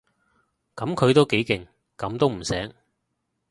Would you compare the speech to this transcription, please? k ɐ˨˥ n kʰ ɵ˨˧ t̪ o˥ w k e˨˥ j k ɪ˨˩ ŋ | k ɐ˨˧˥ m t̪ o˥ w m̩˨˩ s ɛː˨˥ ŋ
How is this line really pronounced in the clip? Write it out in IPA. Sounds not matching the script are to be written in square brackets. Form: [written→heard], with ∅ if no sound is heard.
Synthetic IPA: k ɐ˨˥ [n→m] kʰ ɵ˨˧ t̪ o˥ w k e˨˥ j k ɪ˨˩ ŋ | k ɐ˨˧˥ m t̪ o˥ w m̩˨˩ s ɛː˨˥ ŋ